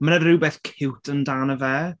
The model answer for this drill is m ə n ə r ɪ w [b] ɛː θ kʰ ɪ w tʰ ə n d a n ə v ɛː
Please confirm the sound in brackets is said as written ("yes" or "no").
yes